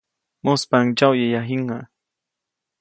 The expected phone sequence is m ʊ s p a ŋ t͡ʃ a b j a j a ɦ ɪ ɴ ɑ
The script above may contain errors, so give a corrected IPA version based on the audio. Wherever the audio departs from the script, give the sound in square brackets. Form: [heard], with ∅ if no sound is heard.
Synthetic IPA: m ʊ s p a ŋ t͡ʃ a [w] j a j a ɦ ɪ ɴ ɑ